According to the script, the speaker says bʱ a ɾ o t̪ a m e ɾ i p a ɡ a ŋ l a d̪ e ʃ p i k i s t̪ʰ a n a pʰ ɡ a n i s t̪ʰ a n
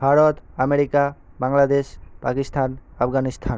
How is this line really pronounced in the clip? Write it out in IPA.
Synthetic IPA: bʱ a ɾ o t̪ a m e ɾ i k a b a ŋ l a d̪ e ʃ p a k i s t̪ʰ a n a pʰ ɡ a n i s t̪ʰ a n